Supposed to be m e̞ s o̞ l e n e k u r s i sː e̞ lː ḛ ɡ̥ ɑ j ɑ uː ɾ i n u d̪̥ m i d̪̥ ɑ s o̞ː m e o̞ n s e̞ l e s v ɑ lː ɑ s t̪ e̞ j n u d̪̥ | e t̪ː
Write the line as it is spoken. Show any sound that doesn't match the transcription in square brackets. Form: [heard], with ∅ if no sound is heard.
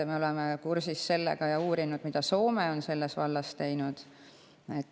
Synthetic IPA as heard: m e̞ [∅] o̞ l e [m] e k u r s i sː e̞ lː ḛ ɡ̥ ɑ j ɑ uː ɾ i n u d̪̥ m i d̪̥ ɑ s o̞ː m e o̞ n s e̞ [lː] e s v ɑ lː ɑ s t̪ e̞ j n u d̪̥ | e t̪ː